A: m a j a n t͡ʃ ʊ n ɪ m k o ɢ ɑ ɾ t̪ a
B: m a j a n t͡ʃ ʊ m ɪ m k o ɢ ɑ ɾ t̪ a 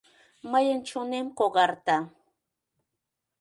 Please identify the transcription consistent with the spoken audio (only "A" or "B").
A